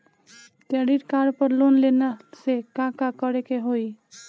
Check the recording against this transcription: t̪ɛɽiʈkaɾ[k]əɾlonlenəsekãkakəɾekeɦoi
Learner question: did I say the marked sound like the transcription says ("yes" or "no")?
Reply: no